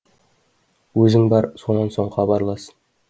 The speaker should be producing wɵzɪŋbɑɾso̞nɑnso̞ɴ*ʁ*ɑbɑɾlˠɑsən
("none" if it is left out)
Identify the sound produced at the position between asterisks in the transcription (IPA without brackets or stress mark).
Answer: χ